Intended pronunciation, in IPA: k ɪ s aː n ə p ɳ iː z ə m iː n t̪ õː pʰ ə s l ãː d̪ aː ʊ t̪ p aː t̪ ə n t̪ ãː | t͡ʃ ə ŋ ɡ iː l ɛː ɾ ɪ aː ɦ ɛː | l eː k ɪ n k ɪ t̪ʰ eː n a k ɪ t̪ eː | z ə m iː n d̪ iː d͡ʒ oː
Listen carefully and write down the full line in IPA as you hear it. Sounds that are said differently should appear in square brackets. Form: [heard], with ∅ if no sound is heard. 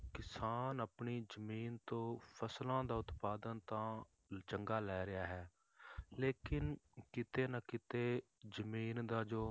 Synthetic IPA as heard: k ɪ s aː n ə p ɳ iː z ə m iː n t̪ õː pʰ ə s l ãː d̪ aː ʊ t̪ p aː [d̪] ə n t̪ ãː | t͡ʃ ə ŋ ɡ [aː] l ɛː ɾ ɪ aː ɦ ɛː | l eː k ɪ n k ɪ [t̪] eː n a k ɪ t̪ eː | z ə m iː n d̪ [aː] d͡ʒ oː